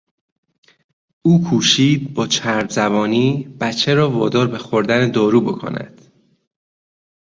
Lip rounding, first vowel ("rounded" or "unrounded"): rounded